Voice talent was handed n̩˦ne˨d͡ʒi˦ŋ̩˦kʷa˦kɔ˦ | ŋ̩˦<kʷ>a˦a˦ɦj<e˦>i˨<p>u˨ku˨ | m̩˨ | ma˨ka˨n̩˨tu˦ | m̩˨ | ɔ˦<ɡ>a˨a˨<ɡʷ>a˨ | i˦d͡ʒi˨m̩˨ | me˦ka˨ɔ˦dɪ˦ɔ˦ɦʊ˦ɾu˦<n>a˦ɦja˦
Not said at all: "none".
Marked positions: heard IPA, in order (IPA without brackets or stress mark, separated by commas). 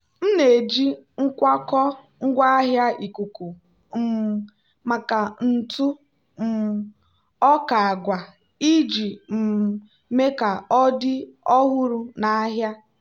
ɡʷ, a˦, k, k, ɡʷ, n